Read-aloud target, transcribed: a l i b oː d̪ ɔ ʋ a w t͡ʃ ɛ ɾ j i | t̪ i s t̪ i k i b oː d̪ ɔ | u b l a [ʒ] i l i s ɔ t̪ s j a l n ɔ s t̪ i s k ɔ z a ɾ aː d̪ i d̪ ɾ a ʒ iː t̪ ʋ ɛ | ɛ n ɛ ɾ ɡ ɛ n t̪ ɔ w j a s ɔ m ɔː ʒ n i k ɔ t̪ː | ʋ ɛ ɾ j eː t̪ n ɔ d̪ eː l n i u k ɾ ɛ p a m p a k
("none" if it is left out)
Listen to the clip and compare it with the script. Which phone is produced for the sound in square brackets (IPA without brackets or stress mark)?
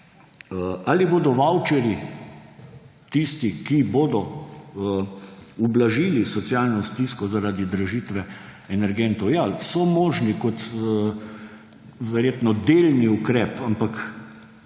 ʒ